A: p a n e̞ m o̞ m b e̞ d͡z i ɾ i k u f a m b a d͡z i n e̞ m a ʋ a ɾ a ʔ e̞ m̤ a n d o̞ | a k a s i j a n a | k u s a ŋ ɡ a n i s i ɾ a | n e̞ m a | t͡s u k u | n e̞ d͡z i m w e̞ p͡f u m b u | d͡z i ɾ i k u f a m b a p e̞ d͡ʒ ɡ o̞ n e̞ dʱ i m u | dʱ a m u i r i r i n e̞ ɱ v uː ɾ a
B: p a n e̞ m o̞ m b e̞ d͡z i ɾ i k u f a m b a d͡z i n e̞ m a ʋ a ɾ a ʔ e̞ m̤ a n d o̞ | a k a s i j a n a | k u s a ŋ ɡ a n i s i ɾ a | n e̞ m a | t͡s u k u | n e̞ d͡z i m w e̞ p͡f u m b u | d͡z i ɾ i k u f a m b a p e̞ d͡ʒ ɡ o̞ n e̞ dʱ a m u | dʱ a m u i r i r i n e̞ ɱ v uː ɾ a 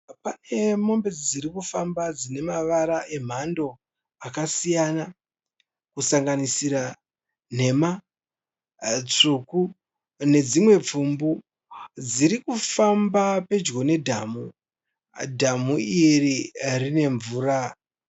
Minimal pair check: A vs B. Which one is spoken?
B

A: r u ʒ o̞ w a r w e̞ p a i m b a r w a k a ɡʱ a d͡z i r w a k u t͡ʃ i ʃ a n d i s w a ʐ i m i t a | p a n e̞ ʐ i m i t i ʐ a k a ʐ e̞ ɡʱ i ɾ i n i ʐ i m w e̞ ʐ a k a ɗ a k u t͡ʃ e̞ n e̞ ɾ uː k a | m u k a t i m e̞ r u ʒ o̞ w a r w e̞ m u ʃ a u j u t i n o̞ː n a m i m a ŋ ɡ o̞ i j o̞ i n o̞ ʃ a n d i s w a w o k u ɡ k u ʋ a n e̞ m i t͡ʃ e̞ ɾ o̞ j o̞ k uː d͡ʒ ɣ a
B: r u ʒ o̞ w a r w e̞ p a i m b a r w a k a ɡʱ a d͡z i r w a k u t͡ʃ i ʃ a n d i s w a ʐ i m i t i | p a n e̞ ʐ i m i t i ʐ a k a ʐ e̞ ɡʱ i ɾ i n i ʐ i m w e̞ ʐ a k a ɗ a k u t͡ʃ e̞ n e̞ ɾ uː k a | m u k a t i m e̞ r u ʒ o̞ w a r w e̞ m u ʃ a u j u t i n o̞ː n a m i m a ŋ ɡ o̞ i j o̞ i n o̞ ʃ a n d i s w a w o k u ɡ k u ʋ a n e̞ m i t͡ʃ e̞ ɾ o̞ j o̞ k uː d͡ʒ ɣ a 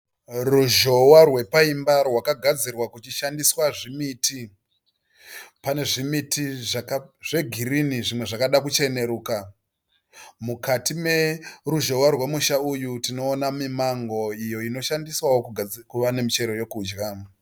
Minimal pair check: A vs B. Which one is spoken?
B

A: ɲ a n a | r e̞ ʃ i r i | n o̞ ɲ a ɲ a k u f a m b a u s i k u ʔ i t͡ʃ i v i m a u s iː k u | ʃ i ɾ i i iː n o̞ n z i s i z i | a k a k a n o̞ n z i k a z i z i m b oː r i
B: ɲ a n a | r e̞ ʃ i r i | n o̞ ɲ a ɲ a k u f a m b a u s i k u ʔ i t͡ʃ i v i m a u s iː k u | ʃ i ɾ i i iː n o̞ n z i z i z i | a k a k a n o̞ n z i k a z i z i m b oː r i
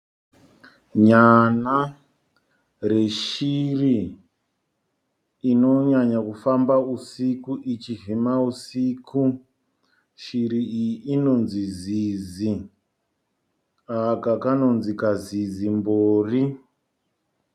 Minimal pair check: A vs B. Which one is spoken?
B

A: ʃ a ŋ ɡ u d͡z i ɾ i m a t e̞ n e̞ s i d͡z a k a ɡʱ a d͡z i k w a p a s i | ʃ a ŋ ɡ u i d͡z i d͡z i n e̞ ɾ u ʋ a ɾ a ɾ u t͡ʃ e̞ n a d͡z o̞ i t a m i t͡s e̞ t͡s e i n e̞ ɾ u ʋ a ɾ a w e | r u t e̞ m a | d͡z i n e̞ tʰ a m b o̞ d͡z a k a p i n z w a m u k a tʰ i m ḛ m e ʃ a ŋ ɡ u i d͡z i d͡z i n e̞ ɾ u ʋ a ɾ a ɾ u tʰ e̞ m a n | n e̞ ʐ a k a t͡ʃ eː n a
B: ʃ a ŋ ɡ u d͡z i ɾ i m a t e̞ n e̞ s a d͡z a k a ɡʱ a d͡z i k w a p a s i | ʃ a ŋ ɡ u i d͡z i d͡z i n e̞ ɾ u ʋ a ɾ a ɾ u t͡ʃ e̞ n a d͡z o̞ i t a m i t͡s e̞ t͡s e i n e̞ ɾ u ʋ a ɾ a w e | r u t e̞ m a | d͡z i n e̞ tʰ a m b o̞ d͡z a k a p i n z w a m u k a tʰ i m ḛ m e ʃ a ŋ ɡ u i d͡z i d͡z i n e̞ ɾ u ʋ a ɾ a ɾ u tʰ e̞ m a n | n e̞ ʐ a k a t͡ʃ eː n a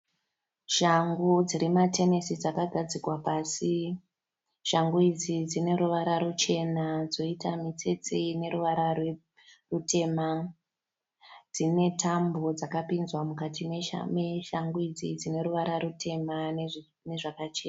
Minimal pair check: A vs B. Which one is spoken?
A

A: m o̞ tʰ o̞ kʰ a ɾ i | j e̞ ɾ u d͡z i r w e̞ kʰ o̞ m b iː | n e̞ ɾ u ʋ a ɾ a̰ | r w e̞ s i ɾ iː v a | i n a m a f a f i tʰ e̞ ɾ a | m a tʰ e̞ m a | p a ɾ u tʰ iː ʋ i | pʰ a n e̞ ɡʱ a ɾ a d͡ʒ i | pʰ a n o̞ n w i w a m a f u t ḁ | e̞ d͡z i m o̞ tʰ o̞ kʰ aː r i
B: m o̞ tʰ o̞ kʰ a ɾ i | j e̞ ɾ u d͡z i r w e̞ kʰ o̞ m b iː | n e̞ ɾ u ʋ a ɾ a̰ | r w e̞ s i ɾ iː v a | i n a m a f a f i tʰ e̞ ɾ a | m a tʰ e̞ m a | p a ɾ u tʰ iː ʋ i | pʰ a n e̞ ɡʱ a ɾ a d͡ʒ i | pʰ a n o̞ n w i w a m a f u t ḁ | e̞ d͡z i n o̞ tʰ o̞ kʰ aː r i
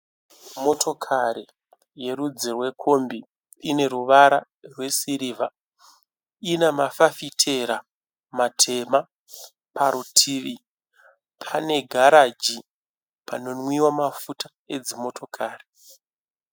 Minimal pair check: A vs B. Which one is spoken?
A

